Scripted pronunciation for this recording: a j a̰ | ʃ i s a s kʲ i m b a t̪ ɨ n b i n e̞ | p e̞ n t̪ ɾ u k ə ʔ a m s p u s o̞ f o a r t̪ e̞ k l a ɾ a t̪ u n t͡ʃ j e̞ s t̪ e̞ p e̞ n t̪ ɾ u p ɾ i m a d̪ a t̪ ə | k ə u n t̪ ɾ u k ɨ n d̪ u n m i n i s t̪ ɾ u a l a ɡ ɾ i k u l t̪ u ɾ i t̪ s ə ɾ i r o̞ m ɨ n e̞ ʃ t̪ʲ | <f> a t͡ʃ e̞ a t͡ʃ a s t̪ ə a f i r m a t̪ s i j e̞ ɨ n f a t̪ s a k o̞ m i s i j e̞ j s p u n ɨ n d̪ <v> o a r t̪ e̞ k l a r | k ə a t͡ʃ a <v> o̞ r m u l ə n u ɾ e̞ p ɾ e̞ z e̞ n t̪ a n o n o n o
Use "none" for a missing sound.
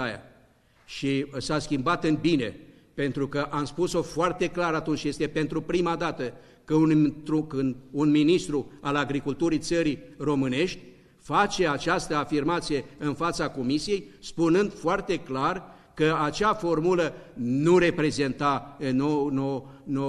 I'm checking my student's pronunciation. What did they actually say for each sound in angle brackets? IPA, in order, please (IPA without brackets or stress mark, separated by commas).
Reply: f, f, f